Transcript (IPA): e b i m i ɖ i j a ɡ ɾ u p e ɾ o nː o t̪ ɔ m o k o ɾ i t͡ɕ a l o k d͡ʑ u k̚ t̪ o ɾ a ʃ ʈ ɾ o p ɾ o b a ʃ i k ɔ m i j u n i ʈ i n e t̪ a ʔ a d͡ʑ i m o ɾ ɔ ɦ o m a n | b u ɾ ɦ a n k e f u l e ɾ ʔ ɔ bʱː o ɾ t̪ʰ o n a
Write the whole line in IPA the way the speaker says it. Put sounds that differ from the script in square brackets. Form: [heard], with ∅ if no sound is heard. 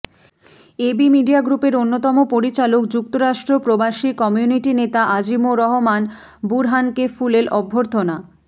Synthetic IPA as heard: e b i m i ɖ i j a ɡ ɾ u p e ɾ o nː o t̪ ɔ m o [p] o ɾ i t͡ɕ a l o k d͡ʑ u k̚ t̪ o ɾ a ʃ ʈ ɾ o p ɾ o b a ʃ i k ɔ m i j u n i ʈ i n e t̪ a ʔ a d͡ʑ i m o ɾ ɔ ɦ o m a n | b u ɾ ɦ a n k e f u l e ɾ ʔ ɔ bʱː o ɾ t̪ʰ o n a